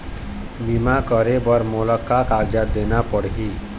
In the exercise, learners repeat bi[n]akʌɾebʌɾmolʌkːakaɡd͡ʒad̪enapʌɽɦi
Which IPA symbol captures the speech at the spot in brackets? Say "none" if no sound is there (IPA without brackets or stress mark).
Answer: m